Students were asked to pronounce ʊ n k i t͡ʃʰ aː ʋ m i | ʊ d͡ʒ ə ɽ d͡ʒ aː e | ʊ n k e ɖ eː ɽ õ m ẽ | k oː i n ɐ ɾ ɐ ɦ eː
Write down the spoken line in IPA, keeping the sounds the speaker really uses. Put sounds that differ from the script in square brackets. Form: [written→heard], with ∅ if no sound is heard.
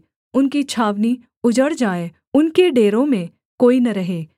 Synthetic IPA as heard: ʊ n k i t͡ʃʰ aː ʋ [m→n] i | ʊ d͡ʒ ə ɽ d͡ʒ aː e | ʊ n k e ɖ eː [ɽ→ɾ] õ m ẽ | k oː i n ɐ ɾ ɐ ɦ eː